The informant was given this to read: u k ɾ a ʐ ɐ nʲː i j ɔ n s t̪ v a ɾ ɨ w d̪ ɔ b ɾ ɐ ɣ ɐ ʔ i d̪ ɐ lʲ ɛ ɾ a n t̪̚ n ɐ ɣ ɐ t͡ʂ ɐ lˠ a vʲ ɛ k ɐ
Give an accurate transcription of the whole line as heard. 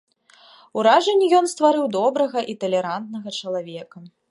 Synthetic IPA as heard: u ɾ a ʐ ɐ nʲː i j ɔ n s t̪ v a ɾ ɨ w d̪ ɔ b ɾ ɐ ɣ ɐ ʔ i t̪ ɐ lʲ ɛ ɾ a n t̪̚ n ɐ ɣ ɐ t͡ʂ ɐ lˠ a vʲ ɛ k ɐ

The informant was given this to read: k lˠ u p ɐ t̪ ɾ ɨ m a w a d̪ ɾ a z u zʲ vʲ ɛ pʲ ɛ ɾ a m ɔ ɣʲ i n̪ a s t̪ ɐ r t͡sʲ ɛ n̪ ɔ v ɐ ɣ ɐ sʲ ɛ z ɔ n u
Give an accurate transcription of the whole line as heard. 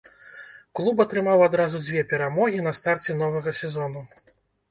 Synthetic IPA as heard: k lˠ u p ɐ t̪ ɾ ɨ m a w a d̪ ɾ a z u d͡zʲ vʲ ɛ pʲ ɛ ɾ a m ɔ ɣʲ i n̪ ɐ s t̪ a r t͡sʲ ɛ n̪ ɔ v ɐ ɣ ɐ sʲ ɛ z ɔ n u

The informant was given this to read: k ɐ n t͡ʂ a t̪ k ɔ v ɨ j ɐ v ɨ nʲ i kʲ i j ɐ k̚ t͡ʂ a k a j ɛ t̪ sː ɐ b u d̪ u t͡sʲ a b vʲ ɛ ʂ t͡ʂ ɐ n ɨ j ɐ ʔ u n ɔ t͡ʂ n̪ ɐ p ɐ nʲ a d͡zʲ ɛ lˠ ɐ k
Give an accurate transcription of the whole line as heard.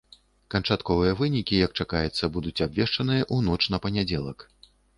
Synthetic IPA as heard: k ɐ n t͡ʂ a t̪ k ɔ v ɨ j ɐ v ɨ nʲ i kʲ i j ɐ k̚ t͡ʂ a k a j ɛ t̪ sː ɐ b u d̪ u t͡sʲ a b vʲ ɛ ʂ t͡ʂ ɐ n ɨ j ɐ ʔ u n ɔ t͡ʂ n̪ ɐ p ɐ nʲ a d͡zʲ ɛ lˠ ɐ k

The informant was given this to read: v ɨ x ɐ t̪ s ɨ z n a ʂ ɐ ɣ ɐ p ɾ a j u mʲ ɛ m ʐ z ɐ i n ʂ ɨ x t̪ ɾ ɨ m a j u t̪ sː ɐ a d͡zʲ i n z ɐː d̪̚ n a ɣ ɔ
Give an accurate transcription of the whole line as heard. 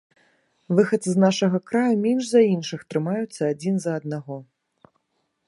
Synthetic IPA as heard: v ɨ x ɐ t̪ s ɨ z n a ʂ ɐ ɣ ɐ k ɾ a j u mʲ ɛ n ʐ z ɐ i n ʂ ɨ x t̪ ɾ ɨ m a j u t̪ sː ɐ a d͡zʲ i n z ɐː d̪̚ n a ɣ ɔ

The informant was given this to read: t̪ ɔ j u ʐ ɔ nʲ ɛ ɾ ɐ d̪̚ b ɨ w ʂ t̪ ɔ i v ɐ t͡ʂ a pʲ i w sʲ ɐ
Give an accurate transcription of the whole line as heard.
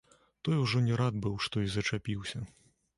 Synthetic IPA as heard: t̪ ɔ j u ʐ ɔ nʲ ɛ ɾ a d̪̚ b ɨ w ʂ t̪ ɔ i z ɐ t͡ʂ a pʲ i w sʲ ɐ

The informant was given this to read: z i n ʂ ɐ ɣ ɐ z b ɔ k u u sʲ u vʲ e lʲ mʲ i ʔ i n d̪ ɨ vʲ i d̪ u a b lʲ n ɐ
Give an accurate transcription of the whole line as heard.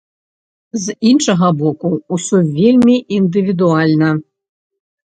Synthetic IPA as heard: z i n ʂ ɐ ɣ ɐ b ɔ k u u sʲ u vʲ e lʲ mʲ i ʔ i n d̪ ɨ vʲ i d̪ u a lʲ n ɐ

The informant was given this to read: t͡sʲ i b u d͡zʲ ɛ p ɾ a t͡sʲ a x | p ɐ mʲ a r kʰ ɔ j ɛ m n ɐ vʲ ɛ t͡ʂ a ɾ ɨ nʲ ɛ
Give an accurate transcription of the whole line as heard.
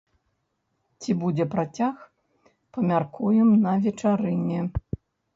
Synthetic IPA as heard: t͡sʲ i b u d͡zʲ ɛ p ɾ a t͡sʲ a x | p ɐ mʲ a r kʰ u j ɛ m n ɐ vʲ ɛ t͡ʂ a ɾ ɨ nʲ ɛ

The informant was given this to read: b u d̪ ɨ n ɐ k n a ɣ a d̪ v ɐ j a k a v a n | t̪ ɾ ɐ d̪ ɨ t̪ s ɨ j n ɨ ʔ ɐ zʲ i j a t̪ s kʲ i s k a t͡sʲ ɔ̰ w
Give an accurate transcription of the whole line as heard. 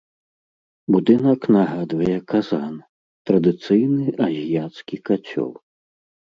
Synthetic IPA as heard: b u d̪ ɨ n ɐ k n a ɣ a d̪ v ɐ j ɛ k a z a n | t̪ ɾ ɐ d̪ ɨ t̪ s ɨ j n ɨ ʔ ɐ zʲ i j a t̪ s kʲ i k a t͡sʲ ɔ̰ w

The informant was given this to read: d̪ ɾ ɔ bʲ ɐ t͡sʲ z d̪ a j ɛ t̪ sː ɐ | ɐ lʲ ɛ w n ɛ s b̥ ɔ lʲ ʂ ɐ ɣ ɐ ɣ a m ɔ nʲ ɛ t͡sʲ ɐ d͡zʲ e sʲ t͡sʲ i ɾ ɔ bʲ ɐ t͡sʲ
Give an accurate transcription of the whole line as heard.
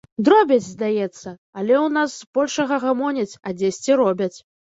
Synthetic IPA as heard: d̪ ɾ ɔ bʲ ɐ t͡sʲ z d̪ a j ɛ t̪ sː ɐ | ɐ lʲ ɛ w n a s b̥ ɔ lʲ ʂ ɐ ɣ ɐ ɣ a m ɔ nʲ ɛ t͡sʲ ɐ d͡zʲ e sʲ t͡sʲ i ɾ ɔ bʲ ɐ t͡sʲ

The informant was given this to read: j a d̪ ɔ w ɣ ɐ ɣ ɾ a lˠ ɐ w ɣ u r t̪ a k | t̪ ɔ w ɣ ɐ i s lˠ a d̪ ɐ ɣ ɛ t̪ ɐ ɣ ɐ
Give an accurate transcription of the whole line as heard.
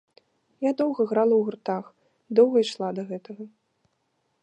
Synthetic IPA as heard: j a d̪ ɔ w ɣ ɐ ɣ ɾ a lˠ ɐ w ɣ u r t̪ a x | d̪ ɔ w ɣ ɐ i ʂ lˠ a d̪ ɐ ɣ ɛ t̪ ɐ ɣ ɐ

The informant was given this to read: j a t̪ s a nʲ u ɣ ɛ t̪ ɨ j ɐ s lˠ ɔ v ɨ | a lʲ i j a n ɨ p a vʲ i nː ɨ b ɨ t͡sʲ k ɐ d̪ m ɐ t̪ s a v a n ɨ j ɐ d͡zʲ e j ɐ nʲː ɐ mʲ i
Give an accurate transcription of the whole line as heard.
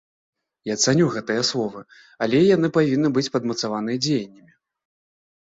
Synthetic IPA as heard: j a t̪ s a nʲ u ɣ ɛ t̪ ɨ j ɐ s lˠ ɔ v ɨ | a lʲ ɛ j a n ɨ p a vʲ i nː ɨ b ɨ t͡sʲ p ɐ d̪ m ɐ t̪ s a v a n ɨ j ɐ d͡zʲ e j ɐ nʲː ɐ mʲ i

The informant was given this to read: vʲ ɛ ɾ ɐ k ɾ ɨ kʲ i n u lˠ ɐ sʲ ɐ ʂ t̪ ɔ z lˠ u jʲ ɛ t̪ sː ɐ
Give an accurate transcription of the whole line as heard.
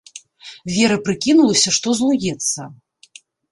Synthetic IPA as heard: vʲ ɛ ɾ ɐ p ɾ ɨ kʲ i n u lˠ ɐ sʲ ɐ ʂ t̪ ɔ z lˠ u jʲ ɛ t̪ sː ɐ

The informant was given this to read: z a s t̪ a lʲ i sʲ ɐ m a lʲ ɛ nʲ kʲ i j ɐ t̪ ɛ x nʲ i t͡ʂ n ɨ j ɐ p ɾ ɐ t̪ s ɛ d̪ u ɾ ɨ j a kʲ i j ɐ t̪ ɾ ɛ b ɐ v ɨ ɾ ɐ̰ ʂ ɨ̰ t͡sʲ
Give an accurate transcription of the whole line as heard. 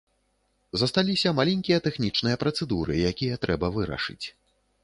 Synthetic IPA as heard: z ɐ s t̪ a lʲ i sʲ ɐ m a lʲ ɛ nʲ kʲ i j ɐ t̪ ɛ x nʲ i t͡ʂ n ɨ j ɐ p ɾ ɐ t̪ s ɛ d̪ u ɾ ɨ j a kʲ i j ɐ t̪ ɾ ɛ b ɐ v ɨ ɾ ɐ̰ ʂ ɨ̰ t͡sʲ

